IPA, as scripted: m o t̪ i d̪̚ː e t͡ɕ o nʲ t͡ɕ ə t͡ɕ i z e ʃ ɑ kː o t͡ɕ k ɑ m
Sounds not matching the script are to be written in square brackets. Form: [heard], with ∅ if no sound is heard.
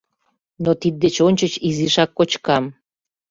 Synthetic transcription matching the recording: [n] o t̪ i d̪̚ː e t͡ɕ o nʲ t͡ɕ ə t͡ɕ i z [i] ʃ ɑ kː o t͡ɕ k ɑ m